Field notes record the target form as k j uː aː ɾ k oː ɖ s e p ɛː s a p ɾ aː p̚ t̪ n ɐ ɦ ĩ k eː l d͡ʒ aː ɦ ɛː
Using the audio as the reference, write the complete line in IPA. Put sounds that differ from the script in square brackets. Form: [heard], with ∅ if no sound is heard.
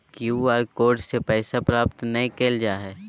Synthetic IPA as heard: k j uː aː ɾ k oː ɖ s e p ɛː s a p ɾ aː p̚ t̪ n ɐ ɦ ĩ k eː l d͡ʒ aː ɦ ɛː